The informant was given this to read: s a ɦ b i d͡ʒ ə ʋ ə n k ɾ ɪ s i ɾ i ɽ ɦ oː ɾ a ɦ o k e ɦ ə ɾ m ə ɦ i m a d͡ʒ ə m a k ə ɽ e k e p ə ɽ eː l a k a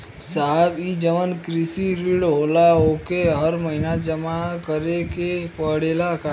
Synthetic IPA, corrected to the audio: s a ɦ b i d͡ʒ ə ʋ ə n k ɾ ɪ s i ɾ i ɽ ɦ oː l a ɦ o k e ɦ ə ɾ m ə ɦ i n a d͡ʒ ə m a k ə ɾ e k e p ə ɽ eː l a k a